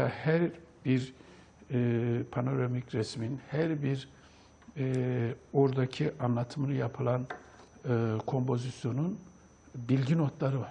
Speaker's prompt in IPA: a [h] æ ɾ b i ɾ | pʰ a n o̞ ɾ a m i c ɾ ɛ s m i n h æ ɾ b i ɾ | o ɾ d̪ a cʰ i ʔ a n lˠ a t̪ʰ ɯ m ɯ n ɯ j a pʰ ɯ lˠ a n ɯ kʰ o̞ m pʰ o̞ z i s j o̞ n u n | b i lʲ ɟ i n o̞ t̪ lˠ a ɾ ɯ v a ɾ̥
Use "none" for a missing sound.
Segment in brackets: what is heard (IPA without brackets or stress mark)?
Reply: h